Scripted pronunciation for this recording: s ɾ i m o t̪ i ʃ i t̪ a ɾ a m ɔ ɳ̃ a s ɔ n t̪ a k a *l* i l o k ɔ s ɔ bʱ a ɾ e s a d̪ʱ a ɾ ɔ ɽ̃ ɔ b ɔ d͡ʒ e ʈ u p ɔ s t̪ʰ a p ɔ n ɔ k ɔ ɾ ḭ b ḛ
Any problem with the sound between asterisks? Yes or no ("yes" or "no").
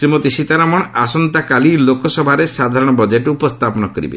no